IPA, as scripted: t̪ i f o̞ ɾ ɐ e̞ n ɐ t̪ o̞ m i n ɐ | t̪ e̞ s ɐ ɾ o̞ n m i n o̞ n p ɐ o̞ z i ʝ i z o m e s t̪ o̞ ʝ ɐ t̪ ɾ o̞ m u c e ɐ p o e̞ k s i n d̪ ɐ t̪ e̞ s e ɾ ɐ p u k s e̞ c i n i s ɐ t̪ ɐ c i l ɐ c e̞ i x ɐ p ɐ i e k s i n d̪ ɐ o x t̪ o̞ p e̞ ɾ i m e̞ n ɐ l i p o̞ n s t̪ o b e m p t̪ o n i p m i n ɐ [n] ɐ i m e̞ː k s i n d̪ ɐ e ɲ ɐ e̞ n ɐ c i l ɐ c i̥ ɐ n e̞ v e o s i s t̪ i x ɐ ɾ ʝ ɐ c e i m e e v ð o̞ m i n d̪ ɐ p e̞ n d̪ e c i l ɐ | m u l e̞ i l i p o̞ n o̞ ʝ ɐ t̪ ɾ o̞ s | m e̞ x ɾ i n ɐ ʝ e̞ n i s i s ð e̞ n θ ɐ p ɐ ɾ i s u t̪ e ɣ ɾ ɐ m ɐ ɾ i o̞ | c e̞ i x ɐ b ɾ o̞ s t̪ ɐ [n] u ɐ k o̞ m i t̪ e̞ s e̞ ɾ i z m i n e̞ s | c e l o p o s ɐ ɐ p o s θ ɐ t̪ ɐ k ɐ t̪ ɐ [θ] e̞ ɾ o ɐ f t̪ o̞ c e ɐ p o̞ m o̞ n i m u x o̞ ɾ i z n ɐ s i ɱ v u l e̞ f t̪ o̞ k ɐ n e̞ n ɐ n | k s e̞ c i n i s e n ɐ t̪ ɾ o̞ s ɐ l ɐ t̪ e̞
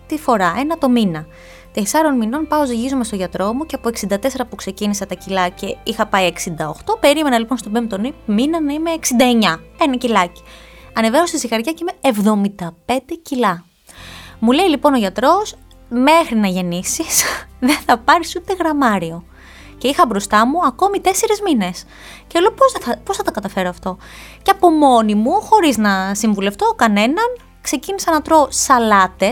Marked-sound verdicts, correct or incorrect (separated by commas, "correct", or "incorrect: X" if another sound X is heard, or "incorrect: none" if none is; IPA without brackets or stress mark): correct, incorrect: m, incorrect: f